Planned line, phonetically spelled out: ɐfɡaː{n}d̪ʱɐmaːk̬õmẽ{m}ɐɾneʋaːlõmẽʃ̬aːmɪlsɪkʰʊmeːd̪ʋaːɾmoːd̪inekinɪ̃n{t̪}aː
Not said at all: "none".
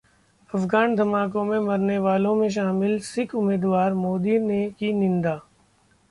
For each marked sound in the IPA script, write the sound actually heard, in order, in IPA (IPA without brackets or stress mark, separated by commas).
n, m, d̪